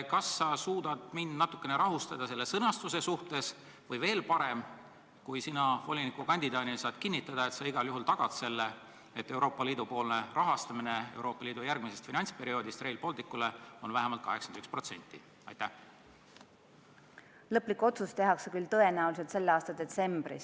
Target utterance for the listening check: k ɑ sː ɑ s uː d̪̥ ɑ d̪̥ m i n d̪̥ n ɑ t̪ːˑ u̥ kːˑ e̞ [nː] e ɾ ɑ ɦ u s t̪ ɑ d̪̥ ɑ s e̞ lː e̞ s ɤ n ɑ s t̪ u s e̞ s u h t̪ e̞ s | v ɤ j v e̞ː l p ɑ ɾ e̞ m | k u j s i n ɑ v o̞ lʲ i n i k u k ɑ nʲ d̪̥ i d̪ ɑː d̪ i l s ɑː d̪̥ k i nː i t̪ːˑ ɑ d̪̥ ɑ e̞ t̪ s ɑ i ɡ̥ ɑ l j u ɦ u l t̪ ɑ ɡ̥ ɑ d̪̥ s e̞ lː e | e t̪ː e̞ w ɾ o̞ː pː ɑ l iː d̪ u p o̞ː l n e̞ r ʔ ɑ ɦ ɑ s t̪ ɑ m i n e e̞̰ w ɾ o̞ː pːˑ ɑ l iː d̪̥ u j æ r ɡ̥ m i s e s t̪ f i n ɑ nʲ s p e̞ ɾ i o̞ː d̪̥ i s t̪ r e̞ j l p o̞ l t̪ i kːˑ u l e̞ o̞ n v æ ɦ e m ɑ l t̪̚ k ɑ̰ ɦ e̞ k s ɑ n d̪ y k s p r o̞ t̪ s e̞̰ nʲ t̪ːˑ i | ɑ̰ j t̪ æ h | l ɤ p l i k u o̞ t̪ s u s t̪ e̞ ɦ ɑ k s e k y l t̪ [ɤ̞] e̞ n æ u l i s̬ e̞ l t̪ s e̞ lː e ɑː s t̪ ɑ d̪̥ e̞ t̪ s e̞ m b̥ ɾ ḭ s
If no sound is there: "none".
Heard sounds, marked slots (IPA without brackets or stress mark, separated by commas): n, ɤ̞